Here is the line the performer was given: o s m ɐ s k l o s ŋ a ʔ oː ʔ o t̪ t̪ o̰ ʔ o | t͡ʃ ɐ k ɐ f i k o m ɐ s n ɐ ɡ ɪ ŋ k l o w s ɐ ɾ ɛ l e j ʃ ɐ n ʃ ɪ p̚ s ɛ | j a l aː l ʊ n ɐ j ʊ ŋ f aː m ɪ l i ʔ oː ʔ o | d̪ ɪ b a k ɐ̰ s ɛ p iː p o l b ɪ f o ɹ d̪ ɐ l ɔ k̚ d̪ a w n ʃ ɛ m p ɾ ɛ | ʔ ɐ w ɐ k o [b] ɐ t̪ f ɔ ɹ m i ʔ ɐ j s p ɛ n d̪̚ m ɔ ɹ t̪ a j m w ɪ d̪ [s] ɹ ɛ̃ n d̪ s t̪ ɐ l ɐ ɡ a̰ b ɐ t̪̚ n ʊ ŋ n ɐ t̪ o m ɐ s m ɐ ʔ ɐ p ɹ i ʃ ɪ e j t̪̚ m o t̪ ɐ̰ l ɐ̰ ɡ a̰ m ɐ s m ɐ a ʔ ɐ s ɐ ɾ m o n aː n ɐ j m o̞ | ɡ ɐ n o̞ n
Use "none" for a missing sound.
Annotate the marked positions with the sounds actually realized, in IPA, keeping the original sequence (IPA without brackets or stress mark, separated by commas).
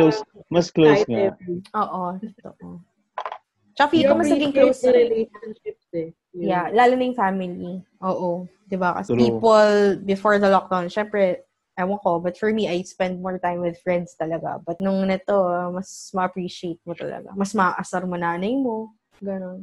b, f